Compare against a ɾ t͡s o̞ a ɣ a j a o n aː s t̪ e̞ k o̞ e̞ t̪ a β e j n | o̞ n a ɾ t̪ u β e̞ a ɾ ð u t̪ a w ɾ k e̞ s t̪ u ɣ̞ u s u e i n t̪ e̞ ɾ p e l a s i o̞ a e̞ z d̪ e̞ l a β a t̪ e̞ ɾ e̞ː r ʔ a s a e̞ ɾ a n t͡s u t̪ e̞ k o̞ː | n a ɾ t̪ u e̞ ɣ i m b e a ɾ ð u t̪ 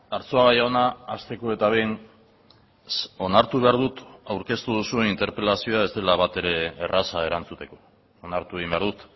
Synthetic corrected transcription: a ɾ t͡s o̞ a ɣ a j a o n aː s t̪ e̞ k o̞ e̞ t̪ a β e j n | o̞ n a ɾ t̪ u β e̞ a ɾ ð u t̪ a w ɾ k e̞ s t̪ u ð̞ u s u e i n t̪ e̞ ɾ p e l a s i o̞ a e̞ z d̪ e̞ l a β a t̪ e̞ ɾ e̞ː r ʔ a s a e̞ ɾ a n t͡s u t̪ e̞ k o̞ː | n a ɾ t̪ u e̞ ɣ i m b e a ɾ ð u t̪